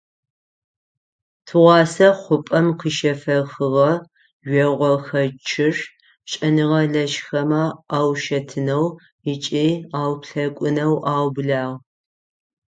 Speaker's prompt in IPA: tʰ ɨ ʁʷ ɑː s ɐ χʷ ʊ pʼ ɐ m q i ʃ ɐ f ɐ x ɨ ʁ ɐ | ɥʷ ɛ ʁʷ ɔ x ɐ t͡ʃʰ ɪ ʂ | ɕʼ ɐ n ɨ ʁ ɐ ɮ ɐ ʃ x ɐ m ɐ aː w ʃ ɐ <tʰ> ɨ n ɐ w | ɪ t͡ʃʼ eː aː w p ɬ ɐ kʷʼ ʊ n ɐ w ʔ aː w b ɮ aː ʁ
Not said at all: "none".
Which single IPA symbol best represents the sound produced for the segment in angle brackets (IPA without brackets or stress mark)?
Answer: tʰ